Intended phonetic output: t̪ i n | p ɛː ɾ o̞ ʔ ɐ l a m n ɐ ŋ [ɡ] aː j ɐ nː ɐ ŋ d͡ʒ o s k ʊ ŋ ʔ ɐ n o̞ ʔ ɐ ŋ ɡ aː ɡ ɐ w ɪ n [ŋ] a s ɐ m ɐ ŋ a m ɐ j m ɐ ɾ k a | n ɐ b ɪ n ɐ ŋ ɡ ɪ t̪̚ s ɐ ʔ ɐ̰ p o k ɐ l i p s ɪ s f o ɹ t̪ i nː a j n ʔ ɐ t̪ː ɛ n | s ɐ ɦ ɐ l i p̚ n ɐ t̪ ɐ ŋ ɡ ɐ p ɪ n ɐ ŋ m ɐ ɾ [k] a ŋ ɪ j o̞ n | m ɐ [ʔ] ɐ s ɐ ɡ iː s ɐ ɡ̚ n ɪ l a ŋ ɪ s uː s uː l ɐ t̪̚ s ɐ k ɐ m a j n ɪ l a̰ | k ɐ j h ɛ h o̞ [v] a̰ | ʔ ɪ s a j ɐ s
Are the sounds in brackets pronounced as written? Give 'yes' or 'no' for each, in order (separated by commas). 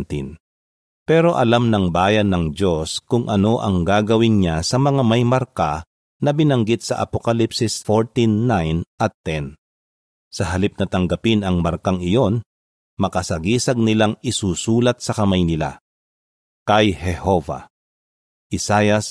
no, no, yes, no, yes